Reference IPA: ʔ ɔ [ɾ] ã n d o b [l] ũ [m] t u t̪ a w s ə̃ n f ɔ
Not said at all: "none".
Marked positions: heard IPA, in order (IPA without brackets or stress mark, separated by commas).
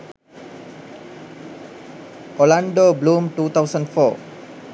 l, l, m